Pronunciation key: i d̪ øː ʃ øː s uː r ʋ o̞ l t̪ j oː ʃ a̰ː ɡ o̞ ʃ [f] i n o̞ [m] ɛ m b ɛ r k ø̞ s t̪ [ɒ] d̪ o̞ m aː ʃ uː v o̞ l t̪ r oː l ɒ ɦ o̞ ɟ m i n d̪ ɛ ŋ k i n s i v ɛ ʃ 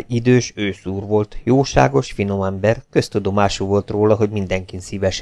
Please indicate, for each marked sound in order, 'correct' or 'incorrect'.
correct, correct, incorrect: u

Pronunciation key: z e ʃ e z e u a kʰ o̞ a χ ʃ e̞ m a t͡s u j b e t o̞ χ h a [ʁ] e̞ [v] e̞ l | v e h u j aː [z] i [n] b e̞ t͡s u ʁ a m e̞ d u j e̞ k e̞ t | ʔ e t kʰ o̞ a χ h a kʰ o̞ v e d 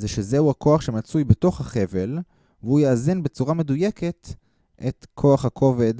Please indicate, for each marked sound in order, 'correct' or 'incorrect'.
incorrect: χ, correct, correct, correct

